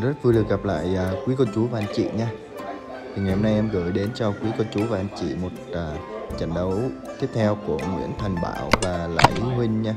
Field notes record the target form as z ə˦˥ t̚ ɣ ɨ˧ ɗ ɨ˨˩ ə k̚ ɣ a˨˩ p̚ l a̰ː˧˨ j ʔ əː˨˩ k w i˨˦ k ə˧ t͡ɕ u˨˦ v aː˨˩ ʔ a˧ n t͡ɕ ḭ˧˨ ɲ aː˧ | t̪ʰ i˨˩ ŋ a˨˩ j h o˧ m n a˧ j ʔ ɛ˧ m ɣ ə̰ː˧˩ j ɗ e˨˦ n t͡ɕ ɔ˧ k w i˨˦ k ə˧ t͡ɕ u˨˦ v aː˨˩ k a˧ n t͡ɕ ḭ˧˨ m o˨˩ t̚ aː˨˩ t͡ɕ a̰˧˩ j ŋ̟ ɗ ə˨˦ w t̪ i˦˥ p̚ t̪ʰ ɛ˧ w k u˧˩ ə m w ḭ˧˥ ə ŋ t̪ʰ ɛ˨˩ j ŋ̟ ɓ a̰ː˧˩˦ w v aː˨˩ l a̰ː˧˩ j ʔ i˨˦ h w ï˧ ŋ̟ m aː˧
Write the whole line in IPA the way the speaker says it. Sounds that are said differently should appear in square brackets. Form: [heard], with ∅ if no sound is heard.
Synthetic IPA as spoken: z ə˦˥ t̚ [v] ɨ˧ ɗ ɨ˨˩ ə k̚ ɣ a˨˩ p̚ l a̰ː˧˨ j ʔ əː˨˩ k w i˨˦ k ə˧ t͡ɕ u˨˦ v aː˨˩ ʔ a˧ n t͡ɕ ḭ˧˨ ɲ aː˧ | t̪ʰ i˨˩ ŋ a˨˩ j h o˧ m n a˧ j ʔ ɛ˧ m ɣ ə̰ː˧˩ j ɗ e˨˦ n t͡ɕ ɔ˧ k w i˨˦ k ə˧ t͡ɕ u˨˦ v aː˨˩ [ʔ] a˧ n t͡ɕ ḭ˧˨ m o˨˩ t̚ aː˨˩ t͡ɕ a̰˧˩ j ŋ̟ ɗ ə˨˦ w t̪ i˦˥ p̚ t̪ʰ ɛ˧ w k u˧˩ ə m w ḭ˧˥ ə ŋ t̪ʰ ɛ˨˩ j ŋ̟ ɓ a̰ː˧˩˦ w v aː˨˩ l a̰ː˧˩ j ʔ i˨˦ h w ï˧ ŋ̟ [ɲ] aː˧